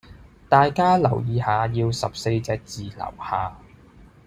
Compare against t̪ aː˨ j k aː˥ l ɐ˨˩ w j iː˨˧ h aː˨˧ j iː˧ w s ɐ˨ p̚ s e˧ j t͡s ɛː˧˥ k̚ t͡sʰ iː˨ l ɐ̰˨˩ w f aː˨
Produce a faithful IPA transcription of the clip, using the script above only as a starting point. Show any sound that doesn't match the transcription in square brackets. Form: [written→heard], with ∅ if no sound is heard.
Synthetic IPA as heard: t̪ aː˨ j k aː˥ l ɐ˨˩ w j iː˨˧ h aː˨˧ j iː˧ w s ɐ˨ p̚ s e˧ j t͡s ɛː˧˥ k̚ [t͡sʰ→t͡s] iː˨ l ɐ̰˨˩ w [f→h] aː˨